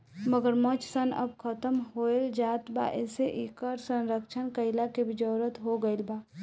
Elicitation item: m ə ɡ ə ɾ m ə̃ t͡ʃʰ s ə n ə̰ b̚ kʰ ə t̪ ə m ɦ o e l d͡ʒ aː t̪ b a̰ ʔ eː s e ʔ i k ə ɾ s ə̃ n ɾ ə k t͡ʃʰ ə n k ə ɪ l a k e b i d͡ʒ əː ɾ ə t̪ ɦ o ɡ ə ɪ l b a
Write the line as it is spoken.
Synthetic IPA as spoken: m ə ɡ ə ɾ m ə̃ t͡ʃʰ s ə n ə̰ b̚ kʰ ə t̪ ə m ɦ o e l d͡ʒ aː t̪ b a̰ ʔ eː s e ʔ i k ə ɾ s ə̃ n ɾ ə k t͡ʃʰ ə n k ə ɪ l a k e b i d͡ʒ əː ɾ ə t̪ ɦ o ɡ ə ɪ l b a